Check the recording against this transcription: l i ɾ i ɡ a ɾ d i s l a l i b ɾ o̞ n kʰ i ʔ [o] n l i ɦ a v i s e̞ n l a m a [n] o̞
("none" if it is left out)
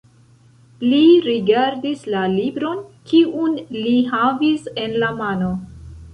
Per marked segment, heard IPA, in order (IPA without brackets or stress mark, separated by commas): u, n